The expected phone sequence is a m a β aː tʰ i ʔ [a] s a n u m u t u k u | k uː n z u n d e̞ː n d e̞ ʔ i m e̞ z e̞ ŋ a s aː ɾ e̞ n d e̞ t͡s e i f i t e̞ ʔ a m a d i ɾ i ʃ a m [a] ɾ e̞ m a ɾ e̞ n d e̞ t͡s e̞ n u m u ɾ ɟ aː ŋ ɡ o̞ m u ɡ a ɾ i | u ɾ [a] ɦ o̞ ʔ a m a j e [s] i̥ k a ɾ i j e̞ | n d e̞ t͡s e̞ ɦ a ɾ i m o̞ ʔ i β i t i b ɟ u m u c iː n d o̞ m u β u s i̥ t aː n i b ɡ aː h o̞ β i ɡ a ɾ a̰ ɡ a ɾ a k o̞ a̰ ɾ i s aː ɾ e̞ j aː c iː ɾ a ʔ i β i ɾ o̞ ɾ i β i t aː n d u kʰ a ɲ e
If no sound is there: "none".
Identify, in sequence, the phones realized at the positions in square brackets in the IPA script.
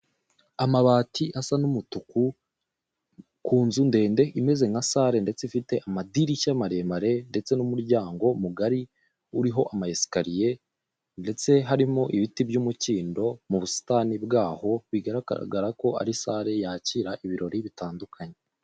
a, a, i, s

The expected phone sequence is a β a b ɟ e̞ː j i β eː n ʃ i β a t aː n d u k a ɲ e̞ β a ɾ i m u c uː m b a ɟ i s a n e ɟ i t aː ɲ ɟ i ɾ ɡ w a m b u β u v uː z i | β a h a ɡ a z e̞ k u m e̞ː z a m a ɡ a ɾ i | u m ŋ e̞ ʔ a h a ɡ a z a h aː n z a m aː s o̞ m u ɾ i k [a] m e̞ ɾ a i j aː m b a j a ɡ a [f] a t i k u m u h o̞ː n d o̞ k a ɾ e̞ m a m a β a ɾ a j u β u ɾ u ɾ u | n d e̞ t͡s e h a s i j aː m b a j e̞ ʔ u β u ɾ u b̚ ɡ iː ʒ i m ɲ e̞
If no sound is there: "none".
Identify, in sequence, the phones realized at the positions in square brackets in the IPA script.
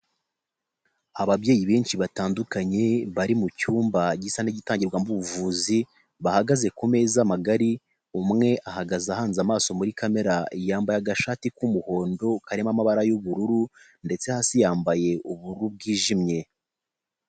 a, ʃ

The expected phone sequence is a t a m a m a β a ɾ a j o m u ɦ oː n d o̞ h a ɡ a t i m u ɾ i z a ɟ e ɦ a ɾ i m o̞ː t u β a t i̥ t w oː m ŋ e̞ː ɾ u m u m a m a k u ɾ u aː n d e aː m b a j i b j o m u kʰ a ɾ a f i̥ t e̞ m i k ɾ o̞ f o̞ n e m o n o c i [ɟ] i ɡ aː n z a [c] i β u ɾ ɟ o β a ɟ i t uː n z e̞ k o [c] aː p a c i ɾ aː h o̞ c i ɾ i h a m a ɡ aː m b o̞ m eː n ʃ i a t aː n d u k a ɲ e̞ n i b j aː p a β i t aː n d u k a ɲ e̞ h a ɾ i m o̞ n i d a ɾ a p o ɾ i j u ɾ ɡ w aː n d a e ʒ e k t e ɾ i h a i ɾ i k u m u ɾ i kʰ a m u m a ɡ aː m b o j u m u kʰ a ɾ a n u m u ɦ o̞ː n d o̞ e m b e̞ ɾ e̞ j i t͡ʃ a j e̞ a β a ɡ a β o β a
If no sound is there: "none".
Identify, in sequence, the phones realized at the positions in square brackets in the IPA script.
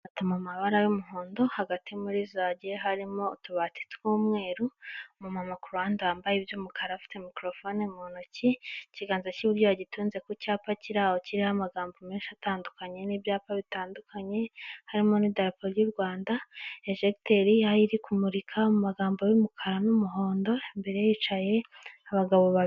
c, c, c

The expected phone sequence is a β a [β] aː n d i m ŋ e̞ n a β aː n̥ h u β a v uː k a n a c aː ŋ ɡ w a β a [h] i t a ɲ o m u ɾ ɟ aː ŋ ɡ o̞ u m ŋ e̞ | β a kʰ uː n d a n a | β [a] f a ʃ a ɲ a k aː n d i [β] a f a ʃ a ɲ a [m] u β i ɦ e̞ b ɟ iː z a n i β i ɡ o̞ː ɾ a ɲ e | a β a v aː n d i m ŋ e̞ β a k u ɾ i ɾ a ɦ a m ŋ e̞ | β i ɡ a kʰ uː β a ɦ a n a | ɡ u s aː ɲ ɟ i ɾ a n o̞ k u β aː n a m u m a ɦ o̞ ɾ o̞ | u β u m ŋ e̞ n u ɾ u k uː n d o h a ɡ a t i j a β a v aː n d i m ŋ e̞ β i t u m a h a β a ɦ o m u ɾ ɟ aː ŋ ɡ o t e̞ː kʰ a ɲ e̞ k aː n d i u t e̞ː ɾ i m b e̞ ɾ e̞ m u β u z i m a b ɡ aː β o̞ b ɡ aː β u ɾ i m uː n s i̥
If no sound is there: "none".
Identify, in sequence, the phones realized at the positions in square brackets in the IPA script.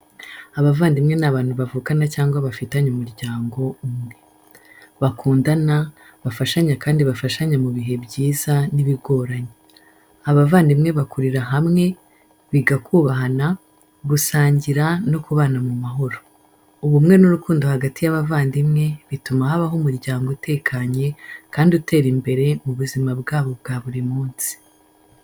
v, f, a, β, m

